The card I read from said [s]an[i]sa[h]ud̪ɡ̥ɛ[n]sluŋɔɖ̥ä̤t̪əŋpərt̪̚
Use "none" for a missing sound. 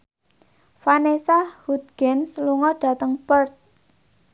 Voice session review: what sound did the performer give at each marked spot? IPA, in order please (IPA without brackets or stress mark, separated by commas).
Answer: f, e, h, n